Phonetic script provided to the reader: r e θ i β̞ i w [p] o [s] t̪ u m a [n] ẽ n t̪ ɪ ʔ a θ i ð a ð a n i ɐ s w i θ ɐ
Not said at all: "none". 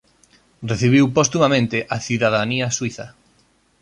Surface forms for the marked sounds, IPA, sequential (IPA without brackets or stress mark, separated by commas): p, s, m